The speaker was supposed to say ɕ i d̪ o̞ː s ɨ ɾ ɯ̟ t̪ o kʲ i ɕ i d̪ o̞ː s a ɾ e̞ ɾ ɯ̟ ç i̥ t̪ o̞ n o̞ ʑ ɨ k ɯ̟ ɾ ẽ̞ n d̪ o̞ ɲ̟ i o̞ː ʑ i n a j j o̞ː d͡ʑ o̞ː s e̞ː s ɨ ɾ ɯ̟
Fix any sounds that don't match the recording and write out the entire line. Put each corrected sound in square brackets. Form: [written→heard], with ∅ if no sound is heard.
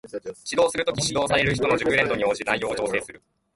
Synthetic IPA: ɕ i d̪ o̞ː s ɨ ɾ ɯ̟ t̪ o kʲ i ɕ i d̪ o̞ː s a ɾ e̞ ɾ ɯ̟ ç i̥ t̪ o̞ n o̞ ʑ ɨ k ɯ̟ ɾ ẽ̞ n d̪ o̞ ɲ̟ i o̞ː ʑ i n a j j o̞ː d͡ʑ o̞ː s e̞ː s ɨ ɾ ɯ̟